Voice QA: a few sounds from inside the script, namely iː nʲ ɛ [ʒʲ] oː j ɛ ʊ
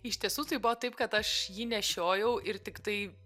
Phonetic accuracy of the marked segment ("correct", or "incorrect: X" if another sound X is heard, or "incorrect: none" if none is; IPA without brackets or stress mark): incorrect: ʃʲ